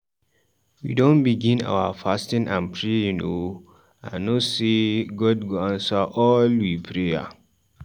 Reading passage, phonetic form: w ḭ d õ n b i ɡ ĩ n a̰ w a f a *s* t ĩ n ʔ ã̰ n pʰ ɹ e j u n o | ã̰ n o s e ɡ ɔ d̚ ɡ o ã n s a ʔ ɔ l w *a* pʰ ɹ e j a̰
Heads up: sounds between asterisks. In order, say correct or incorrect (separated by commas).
correct, incorrect